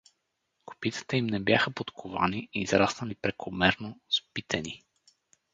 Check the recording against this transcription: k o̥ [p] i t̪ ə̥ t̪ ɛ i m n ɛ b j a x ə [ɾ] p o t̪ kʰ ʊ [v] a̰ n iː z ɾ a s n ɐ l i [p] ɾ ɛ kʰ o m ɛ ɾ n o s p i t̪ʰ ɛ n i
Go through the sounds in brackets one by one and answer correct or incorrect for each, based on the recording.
correct, incorrect: none, correct, correct

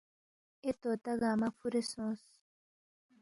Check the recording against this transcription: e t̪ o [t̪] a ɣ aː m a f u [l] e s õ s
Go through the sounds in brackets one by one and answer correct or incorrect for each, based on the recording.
correct, incorrect: ɾ

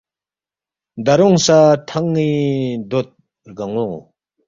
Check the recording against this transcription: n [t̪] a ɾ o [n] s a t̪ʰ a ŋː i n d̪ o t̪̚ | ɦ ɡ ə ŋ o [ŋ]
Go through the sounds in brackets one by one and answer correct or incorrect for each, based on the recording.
incorrect: d̪, incorrect: ŋ, correct

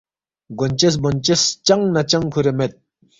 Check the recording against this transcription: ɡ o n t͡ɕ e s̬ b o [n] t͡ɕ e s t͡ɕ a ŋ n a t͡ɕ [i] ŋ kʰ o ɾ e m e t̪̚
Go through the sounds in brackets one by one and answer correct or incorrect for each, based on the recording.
correct, incorrect: a

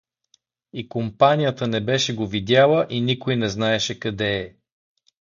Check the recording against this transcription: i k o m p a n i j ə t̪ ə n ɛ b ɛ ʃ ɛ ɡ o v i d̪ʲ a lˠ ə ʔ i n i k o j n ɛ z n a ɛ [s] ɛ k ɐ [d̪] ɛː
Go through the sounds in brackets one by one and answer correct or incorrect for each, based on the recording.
incorrect: ʃ, correct

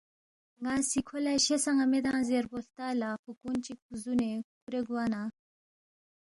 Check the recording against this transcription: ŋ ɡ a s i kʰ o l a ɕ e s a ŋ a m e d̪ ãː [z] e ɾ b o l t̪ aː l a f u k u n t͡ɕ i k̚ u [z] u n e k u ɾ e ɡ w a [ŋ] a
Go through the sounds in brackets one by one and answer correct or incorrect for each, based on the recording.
correct, correct, incorrect: n

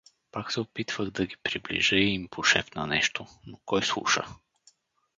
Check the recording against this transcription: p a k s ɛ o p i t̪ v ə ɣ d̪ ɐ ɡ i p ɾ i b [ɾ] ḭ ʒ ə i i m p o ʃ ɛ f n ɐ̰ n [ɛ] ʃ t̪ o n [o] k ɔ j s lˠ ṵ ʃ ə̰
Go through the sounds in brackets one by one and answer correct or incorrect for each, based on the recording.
incorrect: l, correct, correct

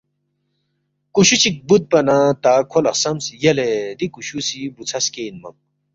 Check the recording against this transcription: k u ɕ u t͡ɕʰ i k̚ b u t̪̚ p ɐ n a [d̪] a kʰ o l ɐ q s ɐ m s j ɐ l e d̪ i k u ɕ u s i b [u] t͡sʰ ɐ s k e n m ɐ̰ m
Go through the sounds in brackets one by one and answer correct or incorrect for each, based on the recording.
incorrect: t̪, correct

